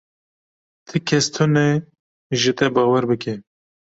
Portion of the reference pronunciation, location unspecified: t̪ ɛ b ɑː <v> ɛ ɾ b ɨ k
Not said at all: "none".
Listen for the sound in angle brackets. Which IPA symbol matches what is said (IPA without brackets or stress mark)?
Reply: w